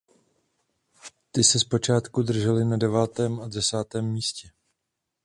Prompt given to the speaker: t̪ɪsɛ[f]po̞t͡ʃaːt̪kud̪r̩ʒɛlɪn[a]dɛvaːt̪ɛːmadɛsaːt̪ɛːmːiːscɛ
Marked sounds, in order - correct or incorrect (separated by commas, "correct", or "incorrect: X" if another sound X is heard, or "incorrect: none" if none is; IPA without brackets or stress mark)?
incorrect: s, correct